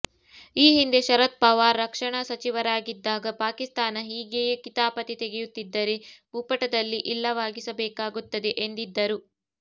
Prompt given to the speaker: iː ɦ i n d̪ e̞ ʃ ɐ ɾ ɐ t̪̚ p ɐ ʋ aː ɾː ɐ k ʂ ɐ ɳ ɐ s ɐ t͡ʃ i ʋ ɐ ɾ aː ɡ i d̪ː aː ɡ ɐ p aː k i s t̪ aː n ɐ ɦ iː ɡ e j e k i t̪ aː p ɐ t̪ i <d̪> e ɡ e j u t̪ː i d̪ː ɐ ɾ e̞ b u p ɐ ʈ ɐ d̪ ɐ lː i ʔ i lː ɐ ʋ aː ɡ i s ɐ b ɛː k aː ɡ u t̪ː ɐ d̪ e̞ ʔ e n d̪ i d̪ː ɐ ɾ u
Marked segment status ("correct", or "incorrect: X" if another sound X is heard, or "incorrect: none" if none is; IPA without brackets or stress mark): incorrect: t̪